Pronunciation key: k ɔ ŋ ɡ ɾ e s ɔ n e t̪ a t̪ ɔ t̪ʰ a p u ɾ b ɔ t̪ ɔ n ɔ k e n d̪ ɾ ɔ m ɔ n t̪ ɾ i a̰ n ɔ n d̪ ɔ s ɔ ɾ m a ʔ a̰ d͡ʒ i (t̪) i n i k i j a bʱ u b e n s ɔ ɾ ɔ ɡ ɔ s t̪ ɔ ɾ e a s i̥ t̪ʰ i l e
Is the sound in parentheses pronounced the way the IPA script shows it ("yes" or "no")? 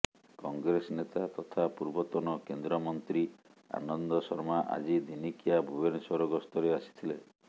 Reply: no